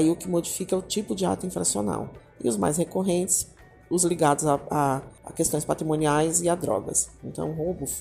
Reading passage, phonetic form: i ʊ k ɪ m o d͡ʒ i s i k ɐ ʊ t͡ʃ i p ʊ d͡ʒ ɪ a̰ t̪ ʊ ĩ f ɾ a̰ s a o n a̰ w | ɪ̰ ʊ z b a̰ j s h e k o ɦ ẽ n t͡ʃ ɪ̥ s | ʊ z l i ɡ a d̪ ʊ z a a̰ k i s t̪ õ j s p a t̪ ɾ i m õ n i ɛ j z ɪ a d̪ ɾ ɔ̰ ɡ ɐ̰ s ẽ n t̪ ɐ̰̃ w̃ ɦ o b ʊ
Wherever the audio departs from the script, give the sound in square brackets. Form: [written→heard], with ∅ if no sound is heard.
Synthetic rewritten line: i ʊ k ɪ m o d͡ʒ i [s→f] i k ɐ ʊ t͡ʃ i p ʊ d͡ʒ ɪ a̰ t̪ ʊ ĩ f ɾ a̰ s [a→i] o n a̰ w | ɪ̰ ʊ z [b→m] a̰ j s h e k o ɦ ẽ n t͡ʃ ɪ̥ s | ʊ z l i ɡ a d̪ ʊ z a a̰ k [i→e] s t̪ õ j s p a t̪ ɾ i m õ n i [ɛ→a] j z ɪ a d̪ ɾ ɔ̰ ɡ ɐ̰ s ẽ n t̪ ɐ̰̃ w̃ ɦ o b ʊ